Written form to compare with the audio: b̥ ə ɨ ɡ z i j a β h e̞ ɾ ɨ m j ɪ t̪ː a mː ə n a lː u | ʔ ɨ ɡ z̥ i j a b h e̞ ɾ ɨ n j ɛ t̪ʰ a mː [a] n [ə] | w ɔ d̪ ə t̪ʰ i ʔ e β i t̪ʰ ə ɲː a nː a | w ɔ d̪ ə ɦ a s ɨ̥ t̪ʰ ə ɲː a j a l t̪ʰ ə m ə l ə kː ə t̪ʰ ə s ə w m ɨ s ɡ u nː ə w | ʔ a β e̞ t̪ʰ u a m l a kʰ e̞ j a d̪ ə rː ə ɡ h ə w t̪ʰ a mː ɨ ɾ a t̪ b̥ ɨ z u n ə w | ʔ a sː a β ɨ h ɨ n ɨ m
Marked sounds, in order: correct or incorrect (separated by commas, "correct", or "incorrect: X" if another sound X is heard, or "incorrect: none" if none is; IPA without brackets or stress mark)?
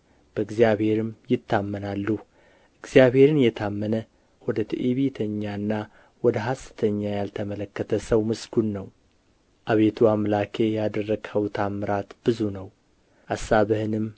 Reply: incorrect: ə, correct